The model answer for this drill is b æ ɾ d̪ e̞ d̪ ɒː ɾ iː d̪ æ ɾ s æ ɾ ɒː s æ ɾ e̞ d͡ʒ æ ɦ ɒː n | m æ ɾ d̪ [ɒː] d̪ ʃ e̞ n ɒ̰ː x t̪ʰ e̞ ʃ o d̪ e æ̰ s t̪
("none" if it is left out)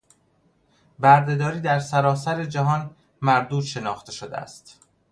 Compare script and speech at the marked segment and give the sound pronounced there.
uː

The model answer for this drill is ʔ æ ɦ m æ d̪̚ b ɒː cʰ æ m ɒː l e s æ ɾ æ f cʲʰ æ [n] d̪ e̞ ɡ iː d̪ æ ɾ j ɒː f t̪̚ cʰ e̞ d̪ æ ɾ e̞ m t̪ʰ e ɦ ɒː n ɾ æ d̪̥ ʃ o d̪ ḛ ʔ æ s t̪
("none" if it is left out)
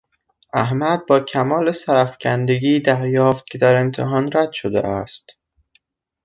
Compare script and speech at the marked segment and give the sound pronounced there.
n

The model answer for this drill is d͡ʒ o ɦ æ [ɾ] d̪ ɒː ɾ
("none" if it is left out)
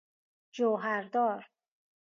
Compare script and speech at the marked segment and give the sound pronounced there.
ɾ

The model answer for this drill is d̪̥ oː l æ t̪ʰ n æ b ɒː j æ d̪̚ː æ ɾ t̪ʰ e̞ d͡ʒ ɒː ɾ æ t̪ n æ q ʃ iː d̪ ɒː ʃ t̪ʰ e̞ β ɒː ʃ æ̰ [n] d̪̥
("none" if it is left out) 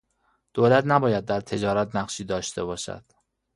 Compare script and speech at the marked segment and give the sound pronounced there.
none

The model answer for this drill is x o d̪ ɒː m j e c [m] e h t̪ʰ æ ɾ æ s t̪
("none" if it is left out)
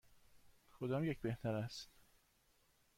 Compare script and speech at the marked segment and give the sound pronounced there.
b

